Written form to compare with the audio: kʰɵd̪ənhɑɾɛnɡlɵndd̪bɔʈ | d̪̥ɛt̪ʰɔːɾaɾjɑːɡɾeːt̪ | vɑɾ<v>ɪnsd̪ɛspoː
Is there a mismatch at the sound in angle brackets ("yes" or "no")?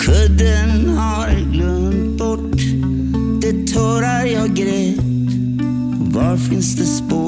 yes